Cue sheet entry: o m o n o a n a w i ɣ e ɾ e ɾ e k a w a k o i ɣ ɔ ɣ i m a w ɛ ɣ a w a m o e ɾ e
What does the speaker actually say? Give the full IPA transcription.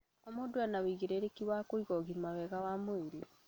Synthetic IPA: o m o d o a n a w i ɣ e ɾ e ɾ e k i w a k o i ɣ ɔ ɣ i m a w ɛ ɣ a w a m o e ɾ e